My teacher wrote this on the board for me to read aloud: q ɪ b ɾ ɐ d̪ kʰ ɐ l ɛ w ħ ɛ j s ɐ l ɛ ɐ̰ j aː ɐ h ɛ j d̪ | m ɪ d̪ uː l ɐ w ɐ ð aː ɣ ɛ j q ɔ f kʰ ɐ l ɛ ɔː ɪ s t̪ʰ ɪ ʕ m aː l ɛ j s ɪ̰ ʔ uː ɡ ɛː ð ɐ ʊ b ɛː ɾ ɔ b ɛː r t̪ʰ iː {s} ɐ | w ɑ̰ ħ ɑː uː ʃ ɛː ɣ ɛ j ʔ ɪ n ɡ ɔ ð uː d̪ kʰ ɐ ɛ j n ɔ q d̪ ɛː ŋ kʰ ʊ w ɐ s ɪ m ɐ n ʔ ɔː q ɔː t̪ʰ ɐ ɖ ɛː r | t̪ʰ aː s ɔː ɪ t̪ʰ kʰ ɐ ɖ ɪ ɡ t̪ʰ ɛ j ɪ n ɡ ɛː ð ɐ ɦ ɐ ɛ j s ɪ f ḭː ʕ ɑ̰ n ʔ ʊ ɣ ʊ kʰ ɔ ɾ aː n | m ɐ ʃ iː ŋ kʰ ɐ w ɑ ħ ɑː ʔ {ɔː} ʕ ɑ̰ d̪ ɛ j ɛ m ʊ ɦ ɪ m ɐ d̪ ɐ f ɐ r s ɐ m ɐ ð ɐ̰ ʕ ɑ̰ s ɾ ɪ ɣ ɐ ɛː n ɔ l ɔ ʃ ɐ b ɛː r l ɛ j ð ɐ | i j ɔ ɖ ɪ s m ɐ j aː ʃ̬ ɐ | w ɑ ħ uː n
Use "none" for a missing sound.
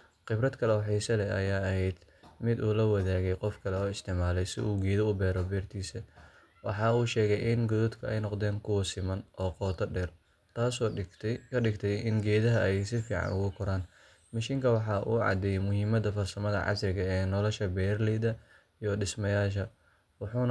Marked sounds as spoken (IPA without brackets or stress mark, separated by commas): s, uː